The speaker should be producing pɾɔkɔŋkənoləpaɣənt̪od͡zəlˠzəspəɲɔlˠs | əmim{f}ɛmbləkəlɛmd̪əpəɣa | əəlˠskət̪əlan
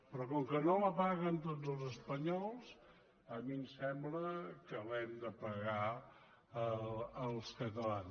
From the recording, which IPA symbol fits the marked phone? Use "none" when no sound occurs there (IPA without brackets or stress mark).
s